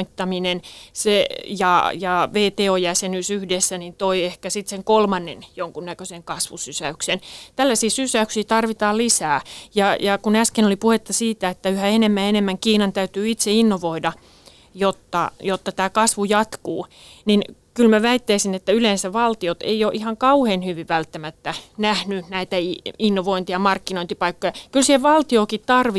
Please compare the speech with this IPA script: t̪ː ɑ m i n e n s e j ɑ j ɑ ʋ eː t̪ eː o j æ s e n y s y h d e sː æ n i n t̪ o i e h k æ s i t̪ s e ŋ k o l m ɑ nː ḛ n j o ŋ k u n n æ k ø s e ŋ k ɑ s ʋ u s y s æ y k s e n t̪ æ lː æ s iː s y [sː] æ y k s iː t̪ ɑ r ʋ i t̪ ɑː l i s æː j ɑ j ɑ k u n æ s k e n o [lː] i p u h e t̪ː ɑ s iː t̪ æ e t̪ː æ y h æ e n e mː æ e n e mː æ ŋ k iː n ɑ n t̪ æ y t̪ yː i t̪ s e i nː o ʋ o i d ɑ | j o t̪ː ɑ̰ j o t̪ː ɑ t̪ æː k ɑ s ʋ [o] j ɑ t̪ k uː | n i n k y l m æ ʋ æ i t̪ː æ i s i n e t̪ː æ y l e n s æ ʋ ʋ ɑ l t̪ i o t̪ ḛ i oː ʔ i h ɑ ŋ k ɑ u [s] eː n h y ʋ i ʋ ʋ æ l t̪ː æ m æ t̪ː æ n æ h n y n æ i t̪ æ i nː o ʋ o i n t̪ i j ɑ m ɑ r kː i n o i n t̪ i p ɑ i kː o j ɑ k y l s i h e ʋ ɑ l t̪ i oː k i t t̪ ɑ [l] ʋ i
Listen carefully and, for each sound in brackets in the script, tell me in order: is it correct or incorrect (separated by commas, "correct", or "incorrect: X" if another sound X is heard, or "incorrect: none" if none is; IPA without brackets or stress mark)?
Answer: incorrect: s, incorrect: l, incorrect: u, incorrect: h, incorrect: r